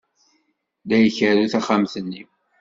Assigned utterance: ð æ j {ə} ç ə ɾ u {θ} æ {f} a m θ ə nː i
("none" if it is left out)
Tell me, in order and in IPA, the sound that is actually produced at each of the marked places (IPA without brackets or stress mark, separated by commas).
ə, θ, χ